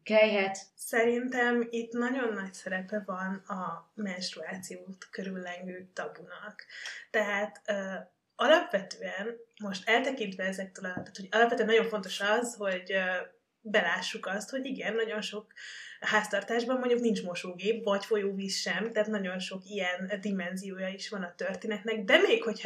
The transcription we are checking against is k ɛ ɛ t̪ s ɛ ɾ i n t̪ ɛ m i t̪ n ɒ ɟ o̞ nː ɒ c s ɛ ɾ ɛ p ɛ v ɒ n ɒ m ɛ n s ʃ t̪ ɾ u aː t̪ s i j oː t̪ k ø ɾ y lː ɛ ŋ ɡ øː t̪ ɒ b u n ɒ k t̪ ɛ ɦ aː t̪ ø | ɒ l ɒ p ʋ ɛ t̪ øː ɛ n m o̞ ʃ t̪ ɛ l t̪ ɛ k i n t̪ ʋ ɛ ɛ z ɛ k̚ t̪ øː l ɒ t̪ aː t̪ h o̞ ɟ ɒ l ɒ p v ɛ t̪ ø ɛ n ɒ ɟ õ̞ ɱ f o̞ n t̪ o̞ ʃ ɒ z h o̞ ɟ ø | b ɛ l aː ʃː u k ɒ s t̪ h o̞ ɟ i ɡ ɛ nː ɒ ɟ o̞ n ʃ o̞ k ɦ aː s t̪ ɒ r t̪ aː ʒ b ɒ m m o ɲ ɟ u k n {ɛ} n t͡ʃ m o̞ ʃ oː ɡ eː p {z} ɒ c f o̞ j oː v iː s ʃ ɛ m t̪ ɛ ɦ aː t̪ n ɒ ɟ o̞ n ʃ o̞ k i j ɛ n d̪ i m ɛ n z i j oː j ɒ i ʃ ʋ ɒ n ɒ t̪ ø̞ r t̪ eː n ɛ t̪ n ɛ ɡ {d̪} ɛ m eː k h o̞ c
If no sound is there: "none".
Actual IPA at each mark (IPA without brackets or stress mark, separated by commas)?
i, v, d̪